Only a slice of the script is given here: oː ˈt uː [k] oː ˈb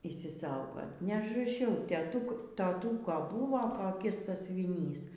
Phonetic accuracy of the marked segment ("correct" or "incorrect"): correct